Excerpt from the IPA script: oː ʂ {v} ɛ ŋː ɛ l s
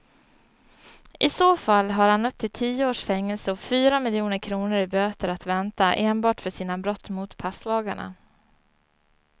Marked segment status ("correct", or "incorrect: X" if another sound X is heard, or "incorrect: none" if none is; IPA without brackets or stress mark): incorrect: f